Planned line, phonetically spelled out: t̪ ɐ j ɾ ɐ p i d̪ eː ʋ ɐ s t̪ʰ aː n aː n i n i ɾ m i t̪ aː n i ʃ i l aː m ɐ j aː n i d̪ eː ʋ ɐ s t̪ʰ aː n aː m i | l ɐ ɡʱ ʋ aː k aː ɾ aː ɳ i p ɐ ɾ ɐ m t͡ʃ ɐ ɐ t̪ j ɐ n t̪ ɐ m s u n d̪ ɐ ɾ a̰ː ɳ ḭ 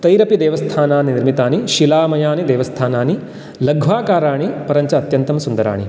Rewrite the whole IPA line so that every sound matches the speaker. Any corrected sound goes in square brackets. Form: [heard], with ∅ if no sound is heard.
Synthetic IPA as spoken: t̪ ɐ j ɾ ɐ p i d̪ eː ʋ ɐ s t̪ʰ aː n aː n i n i ɾ m i t̪ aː n i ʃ i l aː m ɐ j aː n i d̪ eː ʋ ɐ s t̪ʰ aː n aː [n] i | l ɐ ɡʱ ʋ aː k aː ɾ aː ɳ i p ɐ ɾ ɐ [ɲ] t͡ʃ ɐ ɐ t̪ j ɐ n t̪ ɐ m s u n d̪ ɐ ɾ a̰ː ɳ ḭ